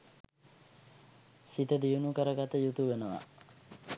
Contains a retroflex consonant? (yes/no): no